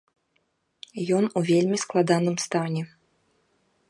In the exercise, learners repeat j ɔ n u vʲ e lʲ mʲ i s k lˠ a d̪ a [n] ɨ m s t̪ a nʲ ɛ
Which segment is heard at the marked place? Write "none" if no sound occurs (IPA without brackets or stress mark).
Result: n